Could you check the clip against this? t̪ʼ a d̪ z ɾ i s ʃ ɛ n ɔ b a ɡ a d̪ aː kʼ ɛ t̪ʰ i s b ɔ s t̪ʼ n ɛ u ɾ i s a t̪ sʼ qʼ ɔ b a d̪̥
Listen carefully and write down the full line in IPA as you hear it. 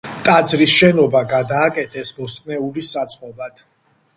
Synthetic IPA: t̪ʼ a d̪ z ɾ i s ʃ ɛ n ɔ b a ɡ a d̪ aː kʼ ɛ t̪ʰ ɛ s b ɔ s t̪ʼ n ɛ u l i s a t̪ sʼ qʼ ɔ b a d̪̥